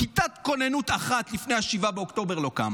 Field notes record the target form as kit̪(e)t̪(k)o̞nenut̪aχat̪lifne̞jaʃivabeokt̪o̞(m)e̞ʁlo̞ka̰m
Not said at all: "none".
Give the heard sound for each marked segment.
a, k, b

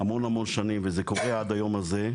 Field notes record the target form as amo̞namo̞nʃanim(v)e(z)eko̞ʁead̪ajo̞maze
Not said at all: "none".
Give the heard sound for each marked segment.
v, z

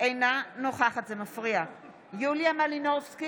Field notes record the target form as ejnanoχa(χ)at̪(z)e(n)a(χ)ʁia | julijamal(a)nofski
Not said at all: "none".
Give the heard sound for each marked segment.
χ, z, m, f, i

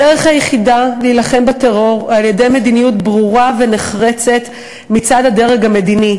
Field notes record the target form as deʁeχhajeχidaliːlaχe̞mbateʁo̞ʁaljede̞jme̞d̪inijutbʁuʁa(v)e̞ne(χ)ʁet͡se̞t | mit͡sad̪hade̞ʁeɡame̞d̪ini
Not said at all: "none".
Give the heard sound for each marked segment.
v, χ

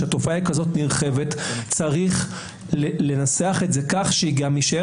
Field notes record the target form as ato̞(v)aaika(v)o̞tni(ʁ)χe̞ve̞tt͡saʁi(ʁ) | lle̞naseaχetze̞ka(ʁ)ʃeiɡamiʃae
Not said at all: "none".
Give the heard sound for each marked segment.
f, z, ʁ, χ, χ

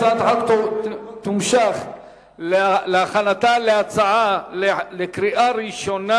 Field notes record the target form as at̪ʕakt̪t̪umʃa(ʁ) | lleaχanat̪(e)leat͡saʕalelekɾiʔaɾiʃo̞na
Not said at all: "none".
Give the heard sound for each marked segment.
χ, a

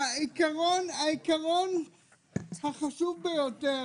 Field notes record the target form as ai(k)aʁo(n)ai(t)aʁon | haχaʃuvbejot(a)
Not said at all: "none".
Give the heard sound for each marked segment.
k, n, k, e

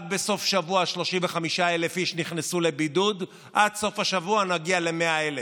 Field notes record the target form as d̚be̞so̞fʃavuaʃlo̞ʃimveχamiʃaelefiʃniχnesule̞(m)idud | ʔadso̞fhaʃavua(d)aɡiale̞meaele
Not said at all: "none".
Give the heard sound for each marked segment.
b, n

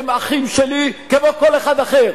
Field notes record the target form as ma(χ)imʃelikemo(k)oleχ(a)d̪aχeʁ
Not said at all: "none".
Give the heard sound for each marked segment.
χ, k, a

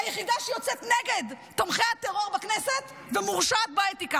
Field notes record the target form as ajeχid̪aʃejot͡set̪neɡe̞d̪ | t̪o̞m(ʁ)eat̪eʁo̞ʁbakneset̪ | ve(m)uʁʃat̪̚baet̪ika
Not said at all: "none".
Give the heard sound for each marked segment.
χ, m

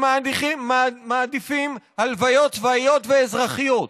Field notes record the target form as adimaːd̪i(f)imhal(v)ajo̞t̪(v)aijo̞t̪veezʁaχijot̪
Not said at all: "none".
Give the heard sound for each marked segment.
f, v, v

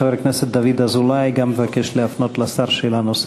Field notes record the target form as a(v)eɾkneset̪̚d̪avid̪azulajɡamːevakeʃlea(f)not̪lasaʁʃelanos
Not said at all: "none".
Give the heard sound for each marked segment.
v, f

